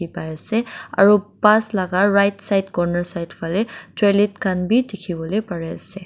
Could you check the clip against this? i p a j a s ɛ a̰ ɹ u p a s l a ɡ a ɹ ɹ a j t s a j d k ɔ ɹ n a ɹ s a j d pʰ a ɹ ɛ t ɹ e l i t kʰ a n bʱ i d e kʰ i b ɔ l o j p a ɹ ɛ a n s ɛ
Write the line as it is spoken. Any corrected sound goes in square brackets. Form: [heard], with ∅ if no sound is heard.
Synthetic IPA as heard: i p a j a s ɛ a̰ ɹ u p a s l a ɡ a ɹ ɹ a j t s a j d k ɔ ɹ n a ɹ s a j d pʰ a [l] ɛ t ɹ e l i t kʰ a n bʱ i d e kʰ i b ɔ l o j p a ɹ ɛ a [∅] s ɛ